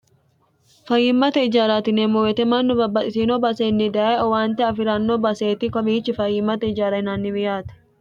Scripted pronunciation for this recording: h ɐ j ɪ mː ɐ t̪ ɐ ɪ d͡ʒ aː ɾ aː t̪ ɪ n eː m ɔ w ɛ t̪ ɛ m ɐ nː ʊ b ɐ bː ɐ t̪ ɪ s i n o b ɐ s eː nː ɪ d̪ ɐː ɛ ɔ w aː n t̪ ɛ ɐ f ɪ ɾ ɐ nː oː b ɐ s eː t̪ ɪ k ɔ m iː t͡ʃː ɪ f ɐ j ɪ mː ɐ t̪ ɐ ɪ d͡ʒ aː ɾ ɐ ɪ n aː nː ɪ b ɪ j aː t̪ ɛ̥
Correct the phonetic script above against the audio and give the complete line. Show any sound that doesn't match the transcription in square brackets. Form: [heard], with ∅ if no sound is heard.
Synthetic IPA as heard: [f] ɐ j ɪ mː ɐ t̪ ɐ ɪ d͡ʒ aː ɾ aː t̪ ɪ n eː m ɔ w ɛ t̪ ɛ m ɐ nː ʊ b ɐ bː ɐ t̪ ɪ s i n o b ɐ s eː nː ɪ d̪ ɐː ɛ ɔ w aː n t̪ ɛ ɐ f ɪ ɾ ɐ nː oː b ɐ s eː t̪ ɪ k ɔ m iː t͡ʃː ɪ f ɐ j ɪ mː ɐ t̪ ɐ ɪ d͡ʒ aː ɾ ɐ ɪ n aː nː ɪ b ɪ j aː t̪ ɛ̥